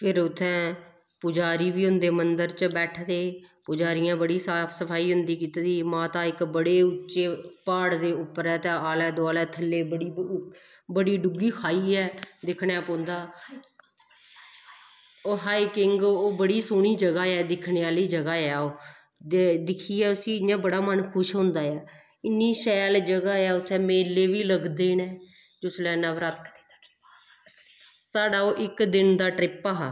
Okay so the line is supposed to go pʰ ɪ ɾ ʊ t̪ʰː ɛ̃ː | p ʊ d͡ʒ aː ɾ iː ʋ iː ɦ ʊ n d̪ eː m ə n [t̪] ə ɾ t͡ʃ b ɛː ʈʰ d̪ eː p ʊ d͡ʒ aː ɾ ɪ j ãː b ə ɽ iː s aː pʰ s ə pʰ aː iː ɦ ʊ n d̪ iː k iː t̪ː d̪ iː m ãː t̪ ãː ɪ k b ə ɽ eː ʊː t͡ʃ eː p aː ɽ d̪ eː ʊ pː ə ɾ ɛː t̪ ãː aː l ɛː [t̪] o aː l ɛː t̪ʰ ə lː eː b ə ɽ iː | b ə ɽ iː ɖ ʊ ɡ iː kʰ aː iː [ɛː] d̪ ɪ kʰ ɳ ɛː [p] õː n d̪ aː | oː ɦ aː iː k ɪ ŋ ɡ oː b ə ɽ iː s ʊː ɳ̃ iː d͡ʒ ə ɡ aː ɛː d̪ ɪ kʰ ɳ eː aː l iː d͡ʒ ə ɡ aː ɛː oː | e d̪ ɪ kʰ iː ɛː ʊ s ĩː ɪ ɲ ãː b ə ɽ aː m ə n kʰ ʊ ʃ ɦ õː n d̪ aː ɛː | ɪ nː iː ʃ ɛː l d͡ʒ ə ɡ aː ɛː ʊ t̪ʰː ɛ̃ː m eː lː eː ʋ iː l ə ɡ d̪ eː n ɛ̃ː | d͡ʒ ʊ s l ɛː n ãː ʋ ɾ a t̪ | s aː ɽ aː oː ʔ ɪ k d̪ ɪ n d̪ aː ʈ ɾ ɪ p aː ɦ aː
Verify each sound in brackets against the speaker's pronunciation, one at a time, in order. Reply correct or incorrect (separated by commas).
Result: incorrect, incorrect, correct, correct